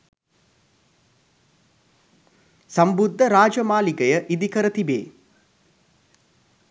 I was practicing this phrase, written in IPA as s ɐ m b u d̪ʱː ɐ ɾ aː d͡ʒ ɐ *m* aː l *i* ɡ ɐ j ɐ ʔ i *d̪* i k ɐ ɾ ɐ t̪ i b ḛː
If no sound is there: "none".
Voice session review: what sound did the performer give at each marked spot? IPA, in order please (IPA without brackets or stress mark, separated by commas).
m, i, d̪